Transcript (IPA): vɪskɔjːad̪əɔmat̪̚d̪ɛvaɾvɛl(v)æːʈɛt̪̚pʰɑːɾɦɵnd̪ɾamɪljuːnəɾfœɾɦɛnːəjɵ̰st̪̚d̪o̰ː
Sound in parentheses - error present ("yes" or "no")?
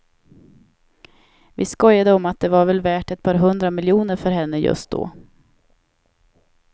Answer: no